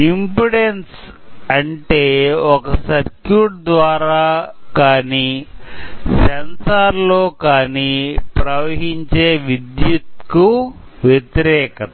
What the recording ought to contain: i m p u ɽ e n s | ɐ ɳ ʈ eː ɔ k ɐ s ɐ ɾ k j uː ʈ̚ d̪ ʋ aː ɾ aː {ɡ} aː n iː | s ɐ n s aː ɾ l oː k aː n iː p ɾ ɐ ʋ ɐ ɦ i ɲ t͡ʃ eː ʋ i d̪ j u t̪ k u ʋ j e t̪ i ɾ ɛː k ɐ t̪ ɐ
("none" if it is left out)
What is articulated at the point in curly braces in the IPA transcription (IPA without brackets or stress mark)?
k